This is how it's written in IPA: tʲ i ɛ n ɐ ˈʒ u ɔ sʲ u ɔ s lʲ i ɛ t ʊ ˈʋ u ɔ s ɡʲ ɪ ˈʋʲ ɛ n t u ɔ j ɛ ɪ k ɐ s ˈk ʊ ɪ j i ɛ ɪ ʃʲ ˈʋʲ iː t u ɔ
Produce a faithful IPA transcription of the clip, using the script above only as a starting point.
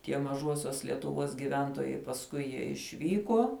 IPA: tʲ i ɛ m ɐ ˈʒ u ɔ sʲ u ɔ s lʲ i ɛ t ʊ ˈʋ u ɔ s ɡʲ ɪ ˈʋʲ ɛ n t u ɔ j ɛ ɪ p ɐ s ˈk ʊ ɪ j i ɛ ɪ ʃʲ ˈʋʲ iː k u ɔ